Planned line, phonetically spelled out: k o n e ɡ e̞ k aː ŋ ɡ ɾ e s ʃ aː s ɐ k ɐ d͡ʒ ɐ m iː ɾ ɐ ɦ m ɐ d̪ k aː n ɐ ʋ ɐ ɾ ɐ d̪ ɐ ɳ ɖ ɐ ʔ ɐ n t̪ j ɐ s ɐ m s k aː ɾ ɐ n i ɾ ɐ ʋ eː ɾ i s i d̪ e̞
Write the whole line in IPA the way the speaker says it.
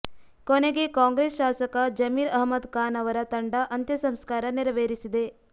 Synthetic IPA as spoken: k o n e ɡ e̞ k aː ŋ ɡ ɾ e s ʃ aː s ɐ k ɐ d͡ʒ ɐ m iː ɾ ɐ ɦ m ɐ d̪ k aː n ɐ ʋ ɐ ɾ ɐ t̪ ɐ ɳ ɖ ɐ ʔ ɐ n t̪ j ɐ s ɐ m s k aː ɾ ɐ n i ɾ ɐ ʋ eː ɾ i s i d̪ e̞